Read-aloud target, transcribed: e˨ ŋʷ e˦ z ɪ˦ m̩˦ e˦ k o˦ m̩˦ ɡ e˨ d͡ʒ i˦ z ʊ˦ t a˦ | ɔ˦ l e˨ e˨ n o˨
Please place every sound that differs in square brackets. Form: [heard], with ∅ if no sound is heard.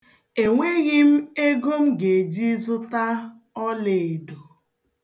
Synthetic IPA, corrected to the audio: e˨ ŋʷ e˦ [ɣ] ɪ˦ m̩˦ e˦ [ɡ] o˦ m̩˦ ɡ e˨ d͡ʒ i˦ z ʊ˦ t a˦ | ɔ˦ l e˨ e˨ [d] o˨